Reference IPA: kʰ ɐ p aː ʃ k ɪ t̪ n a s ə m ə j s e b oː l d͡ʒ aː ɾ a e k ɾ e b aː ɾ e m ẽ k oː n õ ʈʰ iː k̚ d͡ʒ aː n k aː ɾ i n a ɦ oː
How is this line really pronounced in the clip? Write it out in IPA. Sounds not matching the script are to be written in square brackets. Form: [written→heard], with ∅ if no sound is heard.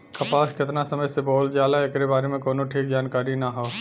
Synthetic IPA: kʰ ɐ p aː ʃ k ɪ t̪ n a s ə m ə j s e b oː l d͡ʒ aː [ɾ→l] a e k ɾ e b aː ɾ e m ẽ k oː n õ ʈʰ iː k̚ d͡ʒ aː n k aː ɾ i n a ɦ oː